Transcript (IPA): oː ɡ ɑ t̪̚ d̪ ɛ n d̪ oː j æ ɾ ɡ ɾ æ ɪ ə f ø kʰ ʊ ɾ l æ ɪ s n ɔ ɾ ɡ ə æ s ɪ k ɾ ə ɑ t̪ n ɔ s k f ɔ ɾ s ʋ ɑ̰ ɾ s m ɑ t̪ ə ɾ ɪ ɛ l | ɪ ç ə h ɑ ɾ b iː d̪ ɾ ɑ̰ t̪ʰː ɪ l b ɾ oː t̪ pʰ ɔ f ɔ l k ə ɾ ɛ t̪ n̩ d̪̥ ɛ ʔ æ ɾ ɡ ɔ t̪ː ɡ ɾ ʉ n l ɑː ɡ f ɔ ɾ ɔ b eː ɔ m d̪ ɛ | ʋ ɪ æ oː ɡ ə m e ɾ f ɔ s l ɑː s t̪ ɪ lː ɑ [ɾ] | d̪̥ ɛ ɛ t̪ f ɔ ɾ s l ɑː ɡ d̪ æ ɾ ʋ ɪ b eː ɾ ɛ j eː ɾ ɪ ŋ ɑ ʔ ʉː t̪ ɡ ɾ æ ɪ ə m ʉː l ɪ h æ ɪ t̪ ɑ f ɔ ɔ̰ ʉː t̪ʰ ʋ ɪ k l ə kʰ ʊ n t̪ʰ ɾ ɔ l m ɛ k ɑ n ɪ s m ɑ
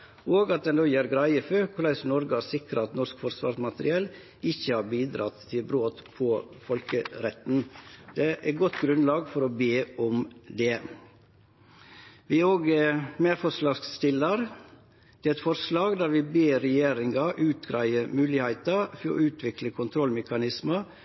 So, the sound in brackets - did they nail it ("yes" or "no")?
yes